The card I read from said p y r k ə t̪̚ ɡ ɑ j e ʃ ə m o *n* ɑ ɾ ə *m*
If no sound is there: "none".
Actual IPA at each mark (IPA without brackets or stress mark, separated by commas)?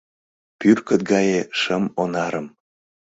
n, m